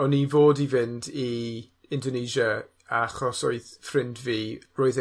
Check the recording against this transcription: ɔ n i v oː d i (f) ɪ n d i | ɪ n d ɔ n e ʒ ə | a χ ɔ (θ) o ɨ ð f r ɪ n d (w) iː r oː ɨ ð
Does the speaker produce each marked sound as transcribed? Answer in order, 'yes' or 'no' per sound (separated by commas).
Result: no, no, no